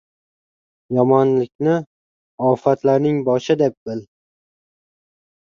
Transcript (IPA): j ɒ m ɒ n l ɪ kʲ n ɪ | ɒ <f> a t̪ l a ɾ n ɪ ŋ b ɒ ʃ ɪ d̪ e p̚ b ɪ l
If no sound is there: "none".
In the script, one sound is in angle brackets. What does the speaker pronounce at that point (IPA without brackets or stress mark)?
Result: f